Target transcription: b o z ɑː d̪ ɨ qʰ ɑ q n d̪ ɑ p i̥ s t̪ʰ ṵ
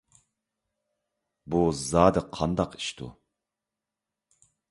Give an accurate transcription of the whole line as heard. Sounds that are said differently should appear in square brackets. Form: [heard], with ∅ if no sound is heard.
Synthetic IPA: b [u] z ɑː d̪ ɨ qʰ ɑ [∅] n d̪ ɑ [q] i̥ [ʃ] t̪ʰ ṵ